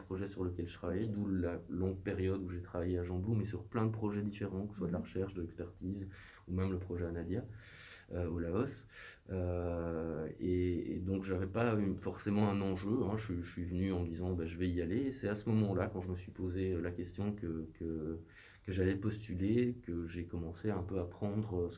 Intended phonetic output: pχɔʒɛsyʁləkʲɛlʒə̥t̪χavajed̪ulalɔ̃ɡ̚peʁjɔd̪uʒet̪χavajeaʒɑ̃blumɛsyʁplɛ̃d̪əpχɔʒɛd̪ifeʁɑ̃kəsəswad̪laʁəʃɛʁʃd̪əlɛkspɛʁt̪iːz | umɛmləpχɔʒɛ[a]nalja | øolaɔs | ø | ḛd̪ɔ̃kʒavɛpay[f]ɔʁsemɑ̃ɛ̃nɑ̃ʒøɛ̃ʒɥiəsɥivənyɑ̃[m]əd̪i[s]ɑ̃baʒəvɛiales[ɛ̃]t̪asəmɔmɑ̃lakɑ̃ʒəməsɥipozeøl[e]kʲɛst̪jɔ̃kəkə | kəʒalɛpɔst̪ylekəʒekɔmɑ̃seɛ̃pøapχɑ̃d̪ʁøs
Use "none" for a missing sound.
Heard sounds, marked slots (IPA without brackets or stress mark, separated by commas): a, f, m, z, ɛ, a